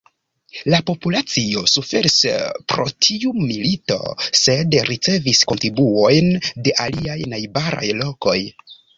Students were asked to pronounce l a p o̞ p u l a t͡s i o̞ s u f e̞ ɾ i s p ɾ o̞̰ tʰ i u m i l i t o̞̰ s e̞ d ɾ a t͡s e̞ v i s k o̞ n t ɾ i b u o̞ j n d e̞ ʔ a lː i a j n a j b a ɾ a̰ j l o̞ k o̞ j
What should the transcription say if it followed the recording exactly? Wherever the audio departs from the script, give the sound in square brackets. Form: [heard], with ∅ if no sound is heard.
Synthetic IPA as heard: l a p o̞ p u l a t͡s i o̞ s u f e̞ ɾ i s p ɾ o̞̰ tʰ i u m i l i t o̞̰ s e̞ d ɾ [i] t͡s e̞ v i s k o̞ n t ɾ i b u o̞ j n d e̞ ʔ a [l] i a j n a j b a ɾ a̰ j l o̞ k o̞ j